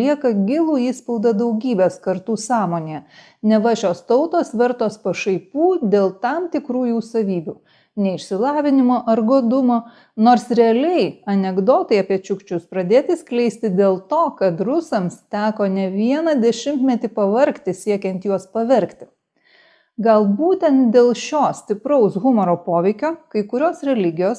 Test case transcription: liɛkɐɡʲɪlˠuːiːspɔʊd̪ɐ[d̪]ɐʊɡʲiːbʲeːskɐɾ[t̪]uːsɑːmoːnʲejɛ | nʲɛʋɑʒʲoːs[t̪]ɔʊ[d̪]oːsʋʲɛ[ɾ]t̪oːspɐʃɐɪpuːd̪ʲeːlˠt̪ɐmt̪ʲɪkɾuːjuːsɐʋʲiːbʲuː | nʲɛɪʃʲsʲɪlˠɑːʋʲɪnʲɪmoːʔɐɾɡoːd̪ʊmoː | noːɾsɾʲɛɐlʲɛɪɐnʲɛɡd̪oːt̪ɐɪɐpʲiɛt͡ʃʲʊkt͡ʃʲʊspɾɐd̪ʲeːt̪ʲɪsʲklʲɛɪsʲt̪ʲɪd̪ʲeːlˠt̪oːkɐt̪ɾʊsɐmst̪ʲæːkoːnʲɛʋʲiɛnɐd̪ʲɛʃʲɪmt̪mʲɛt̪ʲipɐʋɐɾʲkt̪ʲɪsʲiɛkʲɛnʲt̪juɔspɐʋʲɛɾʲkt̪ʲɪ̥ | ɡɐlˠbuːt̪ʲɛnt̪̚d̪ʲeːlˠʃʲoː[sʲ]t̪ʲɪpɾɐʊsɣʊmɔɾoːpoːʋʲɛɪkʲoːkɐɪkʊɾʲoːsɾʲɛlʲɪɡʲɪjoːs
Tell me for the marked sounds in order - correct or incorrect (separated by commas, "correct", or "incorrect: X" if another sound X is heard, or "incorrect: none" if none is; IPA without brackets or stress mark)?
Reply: correct, correct, correct, incorrect: t̪, correct, correct